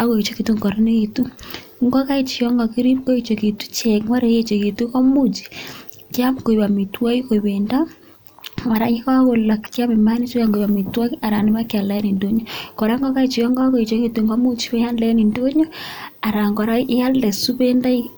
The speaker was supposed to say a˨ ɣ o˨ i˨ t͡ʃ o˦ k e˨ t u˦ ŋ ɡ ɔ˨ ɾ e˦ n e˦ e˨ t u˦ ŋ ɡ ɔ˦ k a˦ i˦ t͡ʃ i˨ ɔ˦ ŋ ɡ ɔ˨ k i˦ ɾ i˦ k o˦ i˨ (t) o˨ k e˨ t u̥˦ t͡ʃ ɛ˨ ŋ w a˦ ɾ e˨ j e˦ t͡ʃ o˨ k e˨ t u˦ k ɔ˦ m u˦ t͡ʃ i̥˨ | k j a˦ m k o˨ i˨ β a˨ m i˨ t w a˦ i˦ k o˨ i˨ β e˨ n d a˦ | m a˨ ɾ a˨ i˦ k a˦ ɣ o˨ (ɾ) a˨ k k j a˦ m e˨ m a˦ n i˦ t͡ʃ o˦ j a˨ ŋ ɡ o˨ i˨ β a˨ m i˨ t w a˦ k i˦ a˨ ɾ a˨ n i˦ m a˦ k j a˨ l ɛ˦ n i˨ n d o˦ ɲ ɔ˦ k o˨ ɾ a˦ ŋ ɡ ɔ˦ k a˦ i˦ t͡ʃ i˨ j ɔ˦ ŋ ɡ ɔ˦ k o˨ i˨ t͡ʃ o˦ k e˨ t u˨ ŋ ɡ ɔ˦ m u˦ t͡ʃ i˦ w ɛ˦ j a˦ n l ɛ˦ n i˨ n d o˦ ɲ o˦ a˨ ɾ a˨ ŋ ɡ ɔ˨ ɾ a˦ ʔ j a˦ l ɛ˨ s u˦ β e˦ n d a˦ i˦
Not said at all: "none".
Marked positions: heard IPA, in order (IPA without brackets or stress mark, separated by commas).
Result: t͡ʃ, l